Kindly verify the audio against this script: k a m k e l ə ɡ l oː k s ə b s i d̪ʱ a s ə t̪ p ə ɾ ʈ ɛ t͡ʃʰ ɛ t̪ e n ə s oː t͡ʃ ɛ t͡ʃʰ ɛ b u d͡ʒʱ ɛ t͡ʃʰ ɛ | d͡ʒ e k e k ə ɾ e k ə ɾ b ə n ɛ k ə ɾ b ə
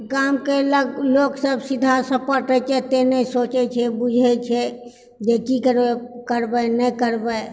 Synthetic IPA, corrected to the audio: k a m k e l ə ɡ l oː k s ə b s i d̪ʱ a s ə p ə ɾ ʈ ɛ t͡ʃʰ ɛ t̪ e n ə s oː t͡ʃ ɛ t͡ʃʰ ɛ b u d͡ʒʱ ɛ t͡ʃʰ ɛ | d͡ʒ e k i k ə ɾ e k ə ɾ b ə n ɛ k ə ɾ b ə